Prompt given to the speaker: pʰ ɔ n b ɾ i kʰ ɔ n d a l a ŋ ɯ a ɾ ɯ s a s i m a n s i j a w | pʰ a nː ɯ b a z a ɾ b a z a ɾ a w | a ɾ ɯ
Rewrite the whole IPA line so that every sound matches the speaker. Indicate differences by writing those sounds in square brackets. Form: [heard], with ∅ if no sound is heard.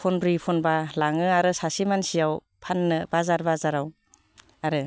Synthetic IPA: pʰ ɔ n b ɾ i [pʰ] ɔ n [b] a l a ŋ ɯ a ɾ ɯ s a s i m a n s i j a w | pʰ a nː ɯ b a z a ɾ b a z a ɾ a w | a ɾ ɯ